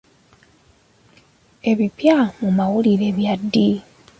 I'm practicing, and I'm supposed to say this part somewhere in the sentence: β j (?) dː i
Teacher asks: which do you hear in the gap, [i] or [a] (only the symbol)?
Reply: a